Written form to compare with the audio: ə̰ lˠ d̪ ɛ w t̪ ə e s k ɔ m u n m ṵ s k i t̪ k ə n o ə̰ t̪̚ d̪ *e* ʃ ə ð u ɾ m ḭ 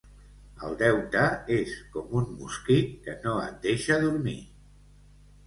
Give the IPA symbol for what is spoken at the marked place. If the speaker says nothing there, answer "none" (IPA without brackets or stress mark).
e